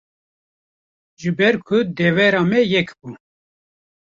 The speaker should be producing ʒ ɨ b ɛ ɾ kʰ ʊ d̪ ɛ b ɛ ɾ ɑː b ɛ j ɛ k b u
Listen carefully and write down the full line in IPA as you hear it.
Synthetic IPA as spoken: ʒ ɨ b ɛ ɾ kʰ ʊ d̪ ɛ v ɛ ɾ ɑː m ɛ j ɛ k b u